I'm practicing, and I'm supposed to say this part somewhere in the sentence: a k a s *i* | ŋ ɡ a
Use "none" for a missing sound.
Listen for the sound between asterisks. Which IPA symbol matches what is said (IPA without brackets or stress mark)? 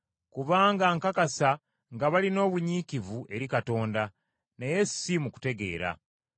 a